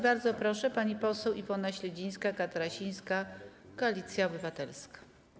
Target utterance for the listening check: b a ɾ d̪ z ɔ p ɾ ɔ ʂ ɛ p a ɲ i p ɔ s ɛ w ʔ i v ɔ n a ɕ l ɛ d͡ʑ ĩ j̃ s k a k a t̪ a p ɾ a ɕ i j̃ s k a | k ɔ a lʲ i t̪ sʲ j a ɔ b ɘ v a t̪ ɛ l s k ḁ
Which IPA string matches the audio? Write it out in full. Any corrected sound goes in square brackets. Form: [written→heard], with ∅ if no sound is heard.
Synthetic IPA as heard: b a ɾ d̪ z ɔ p ɾ ɔ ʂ ɛ p a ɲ i p ɔ s ɛ w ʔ i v ɔ n a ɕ l ɛ d͡ʑ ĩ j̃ s k a k a t̪ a [p→∅] ɾ a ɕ i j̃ s k a | k ɔ a lʲ i t̪ sʲ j a ɔ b ɘ v a t̪ ɛ l s k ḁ